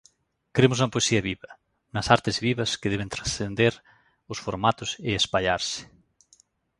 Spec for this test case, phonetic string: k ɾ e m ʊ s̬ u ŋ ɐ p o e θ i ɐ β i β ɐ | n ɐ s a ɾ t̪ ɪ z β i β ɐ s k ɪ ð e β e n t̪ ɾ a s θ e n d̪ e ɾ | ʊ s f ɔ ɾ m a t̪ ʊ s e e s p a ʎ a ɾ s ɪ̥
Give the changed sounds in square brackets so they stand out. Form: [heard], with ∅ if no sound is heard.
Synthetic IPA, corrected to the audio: k ɾ e m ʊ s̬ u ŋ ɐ p o e [s] i ɐ β i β ɐ | n ɐ s a ɾ t̪ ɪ z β i β ɐ s k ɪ ð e β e n t̪ ɾ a s θ e n d̪ e ɾ | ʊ s f [o] ɾ m a t̪ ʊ s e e s p a ʎ a ɾ s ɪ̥